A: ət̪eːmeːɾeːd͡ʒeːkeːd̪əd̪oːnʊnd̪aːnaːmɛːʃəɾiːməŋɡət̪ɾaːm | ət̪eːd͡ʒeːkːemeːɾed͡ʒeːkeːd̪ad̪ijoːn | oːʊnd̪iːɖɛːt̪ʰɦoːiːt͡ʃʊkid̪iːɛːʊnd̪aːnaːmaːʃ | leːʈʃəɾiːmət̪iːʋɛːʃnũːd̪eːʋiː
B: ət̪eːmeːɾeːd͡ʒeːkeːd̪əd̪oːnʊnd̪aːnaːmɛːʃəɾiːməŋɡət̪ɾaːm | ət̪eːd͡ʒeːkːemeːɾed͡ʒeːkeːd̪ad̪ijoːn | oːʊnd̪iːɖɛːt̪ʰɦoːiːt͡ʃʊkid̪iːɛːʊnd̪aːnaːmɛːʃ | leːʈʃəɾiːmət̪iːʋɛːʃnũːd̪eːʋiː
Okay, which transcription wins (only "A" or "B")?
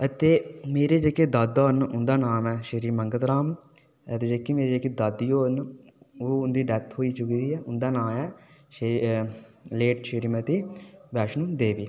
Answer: B